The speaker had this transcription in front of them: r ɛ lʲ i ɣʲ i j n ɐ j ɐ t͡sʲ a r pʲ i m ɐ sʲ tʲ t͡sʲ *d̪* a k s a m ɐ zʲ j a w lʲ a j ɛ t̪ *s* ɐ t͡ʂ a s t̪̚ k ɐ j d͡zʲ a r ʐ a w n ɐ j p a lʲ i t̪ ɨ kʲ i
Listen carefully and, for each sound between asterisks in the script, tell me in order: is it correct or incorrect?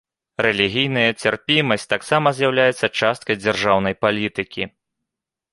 incorrect, incorrect

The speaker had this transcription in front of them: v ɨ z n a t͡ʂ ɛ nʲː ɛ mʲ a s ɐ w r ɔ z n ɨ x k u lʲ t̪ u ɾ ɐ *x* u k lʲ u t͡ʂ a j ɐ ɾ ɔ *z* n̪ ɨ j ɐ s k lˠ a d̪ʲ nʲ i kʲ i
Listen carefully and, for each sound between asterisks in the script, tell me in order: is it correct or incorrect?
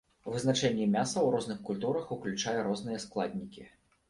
correct, correct

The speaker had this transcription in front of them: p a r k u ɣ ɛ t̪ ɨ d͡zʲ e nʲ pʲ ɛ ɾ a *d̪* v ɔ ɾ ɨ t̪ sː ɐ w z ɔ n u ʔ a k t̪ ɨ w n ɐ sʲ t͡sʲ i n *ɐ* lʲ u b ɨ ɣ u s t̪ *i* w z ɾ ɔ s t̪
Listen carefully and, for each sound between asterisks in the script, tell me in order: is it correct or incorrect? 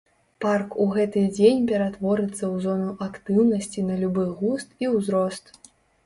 incorrect, correct, correct

